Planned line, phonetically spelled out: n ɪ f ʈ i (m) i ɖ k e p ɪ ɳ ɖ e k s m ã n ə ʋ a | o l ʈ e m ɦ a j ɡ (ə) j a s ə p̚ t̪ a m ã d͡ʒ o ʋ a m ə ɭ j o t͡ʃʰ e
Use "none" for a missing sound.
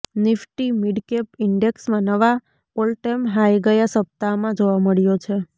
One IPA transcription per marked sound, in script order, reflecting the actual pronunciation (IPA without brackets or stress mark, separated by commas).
m, ə